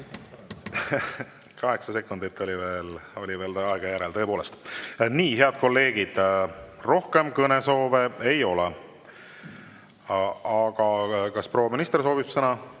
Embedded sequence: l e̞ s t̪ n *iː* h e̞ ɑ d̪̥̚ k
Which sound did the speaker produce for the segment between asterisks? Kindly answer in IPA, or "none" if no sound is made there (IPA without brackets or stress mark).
iː